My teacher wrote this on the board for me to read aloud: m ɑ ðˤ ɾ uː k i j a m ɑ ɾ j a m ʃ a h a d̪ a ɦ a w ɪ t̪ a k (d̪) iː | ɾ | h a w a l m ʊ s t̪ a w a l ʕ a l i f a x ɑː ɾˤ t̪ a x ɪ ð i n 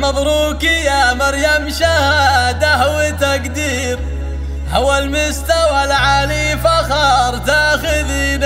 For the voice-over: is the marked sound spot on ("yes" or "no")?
yes